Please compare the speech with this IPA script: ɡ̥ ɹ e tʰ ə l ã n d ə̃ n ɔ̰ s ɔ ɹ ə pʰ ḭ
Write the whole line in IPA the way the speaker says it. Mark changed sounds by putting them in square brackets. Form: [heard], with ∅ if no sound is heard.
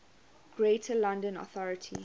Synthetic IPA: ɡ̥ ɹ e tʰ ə l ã n d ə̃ n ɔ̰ [θ] ɔ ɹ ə [tʰ] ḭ